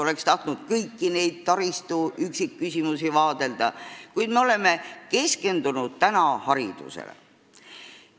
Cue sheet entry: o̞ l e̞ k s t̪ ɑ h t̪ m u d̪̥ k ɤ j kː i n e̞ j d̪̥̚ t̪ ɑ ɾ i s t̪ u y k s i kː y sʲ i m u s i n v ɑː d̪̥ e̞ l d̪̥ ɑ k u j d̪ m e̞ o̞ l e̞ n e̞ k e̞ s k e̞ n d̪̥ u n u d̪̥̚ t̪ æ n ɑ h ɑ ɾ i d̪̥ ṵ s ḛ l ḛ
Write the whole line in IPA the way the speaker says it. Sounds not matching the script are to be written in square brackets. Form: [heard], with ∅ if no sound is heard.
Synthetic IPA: o̞ l e̞ k s t̪ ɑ h t̪ [n] u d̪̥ k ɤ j kː i n e̞ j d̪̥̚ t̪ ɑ ɾ i s t̪ u y k s i kː y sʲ i m u s i [∅] v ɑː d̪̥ e̞ l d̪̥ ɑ k u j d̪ m e̞ o̞ l e̞ [m] e̞ k e̞ s k e̞ n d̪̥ u n u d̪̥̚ t̪ æ n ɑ h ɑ ɾ i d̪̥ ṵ s ḛ l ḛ

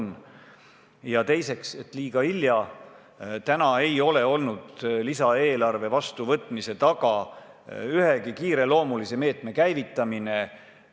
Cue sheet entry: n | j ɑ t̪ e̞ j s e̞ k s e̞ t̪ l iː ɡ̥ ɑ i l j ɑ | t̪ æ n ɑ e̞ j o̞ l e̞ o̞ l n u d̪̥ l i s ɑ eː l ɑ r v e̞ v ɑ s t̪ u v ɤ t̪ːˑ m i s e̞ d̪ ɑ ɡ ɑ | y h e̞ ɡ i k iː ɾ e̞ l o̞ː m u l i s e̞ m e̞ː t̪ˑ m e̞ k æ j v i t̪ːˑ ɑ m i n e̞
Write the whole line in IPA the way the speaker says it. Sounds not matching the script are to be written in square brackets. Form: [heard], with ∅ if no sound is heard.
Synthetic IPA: n | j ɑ t̪ e̞ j s e̞ k s e̞ t̪ l iː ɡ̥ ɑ i l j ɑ | t̪ æ n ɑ e̞ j o̞ l e̞ o̞ l n u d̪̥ l i s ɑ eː l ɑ r v e̞ v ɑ s t̪ u v ɤ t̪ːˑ m i s e̞ [t̪] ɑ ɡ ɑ | y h e̞ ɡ i k iː ɾ e̞ l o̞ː m u l i s e̞ m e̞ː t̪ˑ m e̞ k æ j v i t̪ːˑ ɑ m i n e̞

